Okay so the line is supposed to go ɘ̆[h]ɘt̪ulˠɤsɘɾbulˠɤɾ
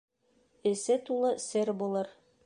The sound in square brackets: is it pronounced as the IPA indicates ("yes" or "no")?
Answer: no